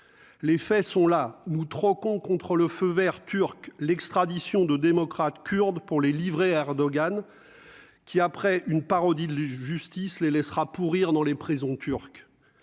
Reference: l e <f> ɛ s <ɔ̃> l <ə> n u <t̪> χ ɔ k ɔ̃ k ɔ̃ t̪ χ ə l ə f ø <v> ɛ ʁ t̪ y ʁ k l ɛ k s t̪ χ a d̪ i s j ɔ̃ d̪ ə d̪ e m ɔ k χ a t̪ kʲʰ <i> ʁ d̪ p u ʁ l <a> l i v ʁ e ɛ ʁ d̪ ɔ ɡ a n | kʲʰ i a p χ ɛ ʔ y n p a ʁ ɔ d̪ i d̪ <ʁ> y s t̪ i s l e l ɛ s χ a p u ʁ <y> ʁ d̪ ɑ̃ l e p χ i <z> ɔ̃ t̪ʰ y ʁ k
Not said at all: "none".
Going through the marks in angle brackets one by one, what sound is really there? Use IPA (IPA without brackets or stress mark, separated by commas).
f, ɔ̃, a, t̪, v, y, e, ʒ, i, z